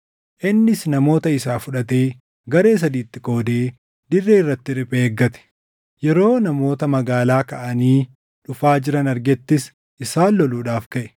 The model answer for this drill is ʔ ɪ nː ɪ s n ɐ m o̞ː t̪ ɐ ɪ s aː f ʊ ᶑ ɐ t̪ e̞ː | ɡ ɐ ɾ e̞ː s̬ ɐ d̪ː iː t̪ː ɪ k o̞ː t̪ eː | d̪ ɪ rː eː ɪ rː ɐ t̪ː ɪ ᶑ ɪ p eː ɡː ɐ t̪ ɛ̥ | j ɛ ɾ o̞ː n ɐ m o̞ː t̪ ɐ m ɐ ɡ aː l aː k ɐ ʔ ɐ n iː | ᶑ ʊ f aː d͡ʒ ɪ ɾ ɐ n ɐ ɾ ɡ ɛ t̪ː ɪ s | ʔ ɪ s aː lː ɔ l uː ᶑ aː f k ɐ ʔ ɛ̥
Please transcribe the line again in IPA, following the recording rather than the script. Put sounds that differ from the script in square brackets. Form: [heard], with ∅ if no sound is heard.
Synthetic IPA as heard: ʔ ɪ nː ɪ s n ɐ m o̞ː t̪ ɐ ɪ s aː f ʊ ᶑ ɐ t̪ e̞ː | ɡ ɐ ɾ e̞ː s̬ ɐ [d̪] iː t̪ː ɪ k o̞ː [d̪] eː | d̪ ɪ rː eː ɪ rː ɐ t̪ː ɪ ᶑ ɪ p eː ɡː ɐ t̪ ɛ̥ | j ɛ ɾ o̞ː n ɐ m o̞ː t̪ ɐ m ɐ ɡ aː l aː k ɐ ʔ ɐ n iː | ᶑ ʊ f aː d͡ʒ ɪ ɾ ɐ n ɐ ɾ ɡ ɛ t̪ː ɪ s | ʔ ɪ s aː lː ɔ l uː ᶑ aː f k ɐ ʔ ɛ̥